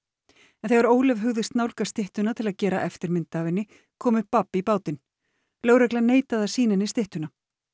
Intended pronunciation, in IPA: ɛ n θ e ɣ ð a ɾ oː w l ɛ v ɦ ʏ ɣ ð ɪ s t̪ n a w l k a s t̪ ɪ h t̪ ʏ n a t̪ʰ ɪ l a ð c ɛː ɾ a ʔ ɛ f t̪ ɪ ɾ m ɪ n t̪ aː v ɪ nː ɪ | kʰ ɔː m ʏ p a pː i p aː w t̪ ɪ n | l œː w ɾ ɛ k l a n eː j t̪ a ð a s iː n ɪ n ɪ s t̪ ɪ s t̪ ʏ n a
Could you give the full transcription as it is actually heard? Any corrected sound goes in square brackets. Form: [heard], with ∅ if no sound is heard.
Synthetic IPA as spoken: ɛ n θ e ɣ [v] a ɾ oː w l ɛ v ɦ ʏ ɣ ð ɪ s t̪ n a w l k a s t̪ ɪ h t̪ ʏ n a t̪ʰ ɪ l a ð c ɛː ɾ a ʔ ɛ f t̪ ɪ ɾ m ɪ n t̪ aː v ɪ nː ɪ | kʰ ɔː m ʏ p a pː i p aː w t̪ ɪ n | l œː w ɾ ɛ k l a n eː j t̪ a ð a s iː n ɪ n ɪ s t̪ ɪ [h] t̪ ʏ n a